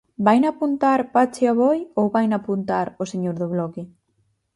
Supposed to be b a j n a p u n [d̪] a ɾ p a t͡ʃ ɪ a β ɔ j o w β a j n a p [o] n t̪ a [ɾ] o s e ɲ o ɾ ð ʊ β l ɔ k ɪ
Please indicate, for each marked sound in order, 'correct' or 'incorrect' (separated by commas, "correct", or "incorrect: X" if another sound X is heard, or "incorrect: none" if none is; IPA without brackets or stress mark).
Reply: incorrect: t̪, incorrect: u, correct